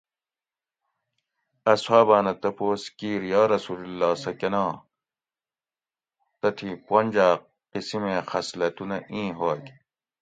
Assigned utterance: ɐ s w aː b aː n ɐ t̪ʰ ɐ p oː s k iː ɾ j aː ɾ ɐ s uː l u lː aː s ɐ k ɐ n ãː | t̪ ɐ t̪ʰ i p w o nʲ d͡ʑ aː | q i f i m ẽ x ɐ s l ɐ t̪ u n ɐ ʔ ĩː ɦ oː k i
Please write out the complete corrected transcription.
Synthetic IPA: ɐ s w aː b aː n ɐ t̪ ɐ p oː s k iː ɾ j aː ɾ ɐ s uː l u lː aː s ɐ k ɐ n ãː | t̪ ɐ t̪ʰ i p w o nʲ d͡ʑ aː | q i s i m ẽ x ɐ s l ɐ t̪ u n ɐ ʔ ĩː ɦ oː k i